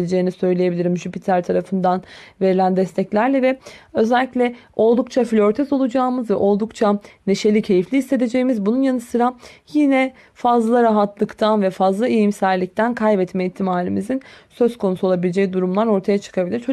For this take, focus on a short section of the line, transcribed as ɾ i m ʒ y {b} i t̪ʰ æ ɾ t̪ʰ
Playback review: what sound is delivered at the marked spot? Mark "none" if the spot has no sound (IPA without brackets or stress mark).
p